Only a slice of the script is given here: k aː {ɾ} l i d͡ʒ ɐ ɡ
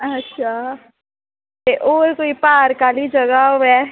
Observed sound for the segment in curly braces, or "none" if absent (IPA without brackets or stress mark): none